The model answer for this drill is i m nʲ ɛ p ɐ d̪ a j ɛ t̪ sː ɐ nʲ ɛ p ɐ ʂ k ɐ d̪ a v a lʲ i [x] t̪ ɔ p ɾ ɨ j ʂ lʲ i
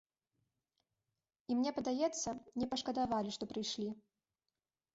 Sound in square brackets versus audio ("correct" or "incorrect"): incorrect